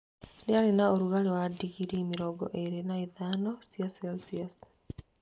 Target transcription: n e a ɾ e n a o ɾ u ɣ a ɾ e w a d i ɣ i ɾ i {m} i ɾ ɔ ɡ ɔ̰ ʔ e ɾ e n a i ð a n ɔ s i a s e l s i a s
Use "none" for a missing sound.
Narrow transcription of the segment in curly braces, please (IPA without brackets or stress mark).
m